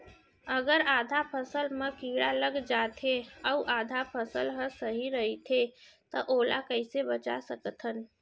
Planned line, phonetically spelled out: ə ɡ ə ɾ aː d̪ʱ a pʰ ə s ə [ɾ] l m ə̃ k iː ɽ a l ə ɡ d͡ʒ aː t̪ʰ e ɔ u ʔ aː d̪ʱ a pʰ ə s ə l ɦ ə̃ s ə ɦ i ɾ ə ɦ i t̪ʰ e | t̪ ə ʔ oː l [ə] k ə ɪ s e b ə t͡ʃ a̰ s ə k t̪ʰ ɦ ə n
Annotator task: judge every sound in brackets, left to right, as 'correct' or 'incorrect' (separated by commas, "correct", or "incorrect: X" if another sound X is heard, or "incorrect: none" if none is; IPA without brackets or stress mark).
incorrect: none, incorrect: a